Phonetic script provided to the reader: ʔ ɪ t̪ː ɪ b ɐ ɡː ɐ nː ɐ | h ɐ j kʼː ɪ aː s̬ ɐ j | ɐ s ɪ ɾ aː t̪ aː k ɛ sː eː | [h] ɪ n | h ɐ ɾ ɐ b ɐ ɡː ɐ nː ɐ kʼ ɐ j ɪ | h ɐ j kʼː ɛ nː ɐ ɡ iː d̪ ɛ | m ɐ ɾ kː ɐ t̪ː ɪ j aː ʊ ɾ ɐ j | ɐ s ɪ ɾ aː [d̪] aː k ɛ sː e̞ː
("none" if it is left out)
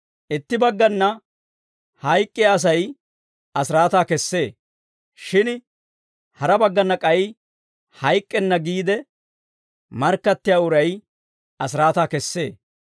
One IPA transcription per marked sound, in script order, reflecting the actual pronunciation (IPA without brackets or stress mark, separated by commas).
ʃ, t̪